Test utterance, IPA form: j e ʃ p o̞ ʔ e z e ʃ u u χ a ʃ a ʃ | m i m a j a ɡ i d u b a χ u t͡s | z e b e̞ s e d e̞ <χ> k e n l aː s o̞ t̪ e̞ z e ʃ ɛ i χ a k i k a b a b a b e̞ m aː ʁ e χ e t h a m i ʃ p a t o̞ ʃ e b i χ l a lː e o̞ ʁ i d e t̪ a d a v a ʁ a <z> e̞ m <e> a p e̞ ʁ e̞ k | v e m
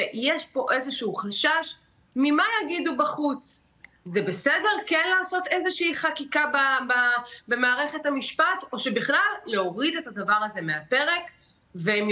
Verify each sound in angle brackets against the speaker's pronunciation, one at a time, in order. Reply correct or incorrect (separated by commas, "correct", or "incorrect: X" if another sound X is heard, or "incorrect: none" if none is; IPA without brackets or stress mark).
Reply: incorrect: ʁ, correct, correct